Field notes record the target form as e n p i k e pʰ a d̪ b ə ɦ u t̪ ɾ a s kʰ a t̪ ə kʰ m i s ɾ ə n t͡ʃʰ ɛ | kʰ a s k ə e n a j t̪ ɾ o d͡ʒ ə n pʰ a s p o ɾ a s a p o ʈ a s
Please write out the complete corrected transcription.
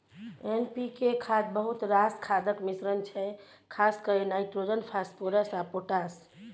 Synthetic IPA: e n p i k e kʰ a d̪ b ə ɦ u t̪ ɾ a s kʰ a d̪ ə k m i s ɾ ə n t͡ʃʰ ɛ | kʰ a s k ə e n a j t̪ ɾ o d͡ʒ ə n pʰ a s p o ɾ ə s a p o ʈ a s

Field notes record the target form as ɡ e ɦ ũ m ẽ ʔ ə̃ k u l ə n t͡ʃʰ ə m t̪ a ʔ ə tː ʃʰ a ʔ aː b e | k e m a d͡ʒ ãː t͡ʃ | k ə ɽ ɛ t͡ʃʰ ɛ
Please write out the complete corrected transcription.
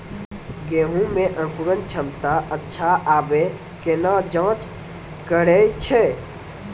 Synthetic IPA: ɡ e ɦ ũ m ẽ ʔ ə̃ k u ɾ ə n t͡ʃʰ ə m t̪ a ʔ ə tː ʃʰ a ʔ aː b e | k e n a d͡ʒ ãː t͡ʃ | k ə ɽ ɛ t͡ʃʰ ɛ

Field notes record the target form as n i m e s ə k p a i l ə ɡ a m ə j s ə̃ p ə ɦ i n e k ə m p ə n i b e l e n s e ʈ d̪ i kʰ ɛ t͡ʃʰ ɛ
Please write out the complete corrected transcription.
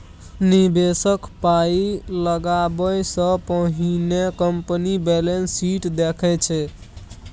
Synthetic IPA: n i b e s ə k p a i l ə ɡ a b ə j s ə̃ p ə ɦ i n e k ə m p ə n i b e l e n s i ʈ d̪ e kʰ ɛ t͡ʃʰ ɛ

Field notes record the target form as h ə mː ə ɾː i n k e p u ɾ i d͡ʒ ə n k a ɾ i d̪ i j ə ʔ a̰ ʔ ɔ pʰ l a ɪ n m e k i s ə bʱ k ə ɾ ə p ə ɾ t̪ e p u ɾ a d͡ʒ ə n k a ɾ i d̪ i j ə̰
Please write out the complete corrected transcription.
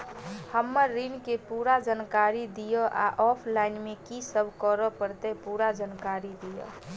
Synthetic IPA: h ə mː ə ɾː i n k e p u ɾ a d͡ʒ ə n k a ɾ i d̪ i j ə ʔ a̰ ʔ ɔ pʰ l a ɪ n m e k i s ə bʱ k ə ɾ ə p ə ɾ t̪ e p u ɾ a d͡ʒ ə n k a ɾ i d̪ i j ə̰

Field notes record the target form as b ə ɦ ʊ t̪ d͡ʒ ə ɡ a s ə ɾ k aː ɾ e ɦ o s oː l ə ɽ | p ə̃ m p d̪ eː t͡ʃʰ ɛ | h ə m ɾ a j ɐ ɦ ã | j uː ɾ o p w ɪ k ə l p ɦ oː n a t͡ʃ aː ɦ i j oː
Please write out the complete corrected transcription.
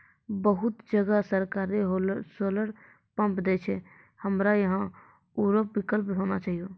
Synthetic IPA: b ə ɦ ʊ t̪ d͡ʒ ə ɡ a s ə ɾ k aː ɾ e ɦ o s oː l ə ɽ | p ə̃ m p d̪ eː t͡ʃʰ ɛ | h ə m ɾ a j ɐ ɦ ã | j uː ɾ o p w ɪ k ə l p ɦ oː n a t͡ʃ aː ɦ i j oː

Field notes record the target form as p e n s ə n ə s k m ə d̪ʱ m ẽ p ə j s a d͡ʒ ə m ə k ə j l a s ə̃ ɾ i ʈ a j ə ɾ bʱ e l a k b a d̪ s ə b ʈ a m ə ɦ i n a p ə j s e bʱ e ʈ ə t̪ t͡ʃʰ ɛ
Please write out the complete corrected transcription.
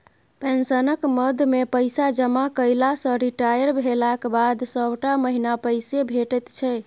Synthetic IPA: p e n s ə n ə k m ə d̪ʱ m e p ə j s a d͡ʒ ə m a k ə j l a s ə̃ ɾ i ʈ a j ə ɾ bʱ e l a k b a d̪ s ə b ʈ a m ə ɦ i n a p ə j s e bʱ e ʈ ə t̪ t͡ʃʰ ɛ

